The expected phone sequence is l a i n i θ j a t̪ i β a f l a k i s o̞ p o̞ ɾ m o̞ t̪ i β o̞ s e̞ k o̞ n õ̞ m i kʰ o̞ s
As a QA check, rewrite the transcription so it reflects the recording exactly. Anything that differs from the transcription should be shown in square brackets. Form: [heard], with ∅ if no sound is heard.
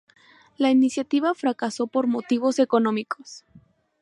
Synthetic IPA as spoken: l a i n i [s] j a t̪ i β a f [ɾ] a k [a] s o̞ p o̞ ɾ m o̞ t̪ i β o̞ s e̞ k o̞ n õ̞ m i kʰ o̞ s